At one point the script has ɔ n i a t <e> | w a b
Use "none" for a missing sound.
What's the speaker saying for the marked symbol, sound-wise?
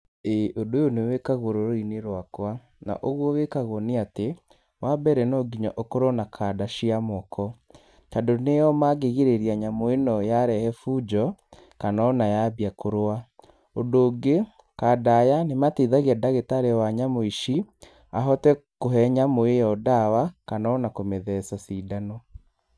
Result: e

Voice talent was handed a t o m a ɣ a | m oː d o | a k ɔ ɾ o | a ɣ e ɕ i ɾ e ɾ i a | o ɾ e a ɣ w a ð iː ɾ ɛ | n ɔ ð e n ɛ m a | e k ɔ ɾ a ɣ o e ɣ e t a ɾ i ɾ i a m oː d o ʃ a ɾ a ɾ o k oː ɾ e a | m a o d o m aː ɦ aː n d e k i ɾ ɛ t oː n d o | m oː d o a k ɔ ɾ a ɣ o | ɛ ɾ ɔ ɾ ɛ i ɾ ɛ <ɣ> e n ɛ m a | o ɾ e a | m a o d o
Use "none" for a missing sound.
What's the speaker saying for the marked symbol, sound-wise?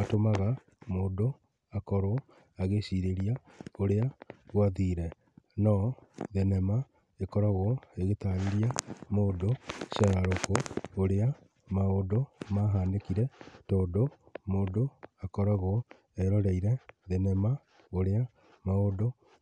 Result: ð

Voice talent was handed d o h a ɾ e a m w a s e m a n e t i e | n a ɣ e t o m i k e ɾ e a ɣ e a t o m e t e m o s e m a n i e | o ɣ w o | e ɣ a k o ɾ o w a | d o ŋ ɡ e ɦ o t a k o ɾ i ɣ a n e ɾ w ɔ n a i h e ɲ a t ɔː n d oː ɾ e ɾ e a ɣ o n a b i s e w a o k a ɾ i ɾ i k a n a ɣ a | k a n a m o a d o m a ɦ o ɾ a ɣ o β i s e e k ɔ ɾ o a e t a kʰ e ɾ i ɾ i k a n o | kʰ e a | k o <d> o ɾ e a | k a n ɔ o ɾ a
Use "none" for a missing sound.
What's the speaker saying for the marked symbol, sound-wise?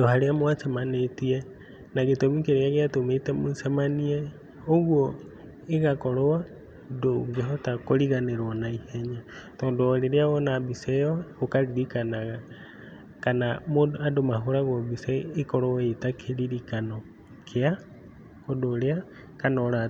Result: d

